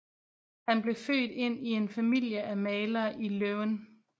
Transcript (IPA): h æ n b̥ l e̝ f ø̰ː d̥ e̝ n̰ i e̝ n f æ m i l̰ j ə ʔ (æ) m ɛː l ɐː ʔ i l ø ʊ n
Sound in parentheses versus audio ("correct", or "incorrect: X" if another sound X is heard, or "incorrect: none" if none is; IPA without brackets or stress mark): correct